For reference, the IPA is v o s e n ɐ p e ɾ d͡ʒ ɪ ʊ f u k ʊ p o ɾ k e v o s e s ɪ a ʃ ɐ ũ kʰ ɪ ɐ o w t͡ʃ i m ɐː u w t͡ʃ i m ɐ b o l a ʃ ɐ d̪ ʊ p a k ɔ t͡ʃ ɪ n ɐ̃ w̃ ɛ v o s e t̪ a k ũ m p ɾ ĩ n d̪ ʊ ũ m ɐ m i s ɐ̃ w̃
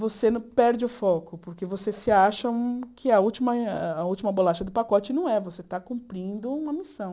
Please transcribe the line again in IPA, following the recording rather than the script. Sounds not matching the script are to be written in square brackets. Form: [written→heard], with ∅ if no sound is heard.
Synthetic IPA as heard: v o s e n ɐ p [e→ɛ] ɾ d͡ʒ ɪ ʊ f [u→ɔ] k ʊ p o ɾ k e v o s e s ɪ a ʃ ɐ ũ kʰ ɪ ɐ [o→u] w t͡ʃ i m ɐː u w t͡ʃ i m ɐ b o l a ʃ ɐ d̪ ʊ p a k ɔ t͡ʃ ɪ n ɐ̃ w̃ ɛ v o s e t̪ a k ũ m p ɾ ĩ n d̪ ʊ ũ m ɐ m i s ɐ̃ w̃